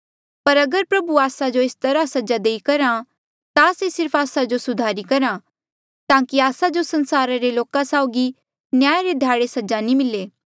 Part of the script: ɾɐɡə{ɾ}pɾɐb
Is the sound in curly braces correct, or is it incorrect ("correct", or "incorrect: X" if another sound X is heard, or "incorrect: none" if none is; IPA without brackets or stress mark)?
correct